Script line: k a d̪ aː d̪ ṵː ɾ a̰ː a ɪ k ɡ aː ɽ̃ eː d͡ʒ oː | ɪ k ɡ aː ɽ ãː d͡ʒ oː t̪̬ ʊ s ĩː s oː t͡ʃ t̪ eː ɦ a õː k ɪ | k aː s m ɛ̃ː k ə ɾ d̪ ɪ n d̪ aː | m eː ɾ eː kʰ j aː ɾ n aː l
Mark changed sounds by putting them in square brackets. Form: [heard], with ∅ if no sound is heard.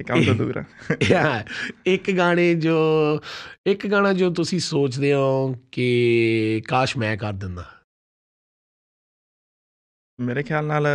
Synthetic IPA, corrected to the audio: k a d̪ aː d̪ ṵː ɾ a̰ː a ɪ k ɡ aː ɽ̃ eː d͡ʒ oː | ɪ k ɡ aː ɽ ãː d͡ʒ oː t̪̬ ʊ s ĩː s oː t͡ʃ [d̪] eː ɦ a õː k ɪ | k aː [ʃ] m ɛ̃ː k ə ɾ d̪ ɪ n d̪ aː | m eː ɾ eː kʰ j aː [l] n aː l